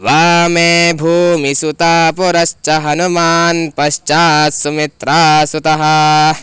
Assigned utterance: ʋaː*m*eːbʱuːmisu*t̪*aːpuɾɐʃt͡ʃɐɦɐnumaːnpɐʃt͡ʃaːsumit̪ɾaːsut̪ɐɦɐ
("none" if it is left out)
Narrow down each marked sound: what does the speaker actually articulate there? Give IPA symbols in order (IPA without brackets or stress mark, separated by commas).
m, t̪